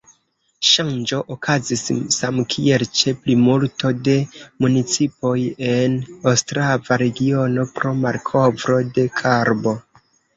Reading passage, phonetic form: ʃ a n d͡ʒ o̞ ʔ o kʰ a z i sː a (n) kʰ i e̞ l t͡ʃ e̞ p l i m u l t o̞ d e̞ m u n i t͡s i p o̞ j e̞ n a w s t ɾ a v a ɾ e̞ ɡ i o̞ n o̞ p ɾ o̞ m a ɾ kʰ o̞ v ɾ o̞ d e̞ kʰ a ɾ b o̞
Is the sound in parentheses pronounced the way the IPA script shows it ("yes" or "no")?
no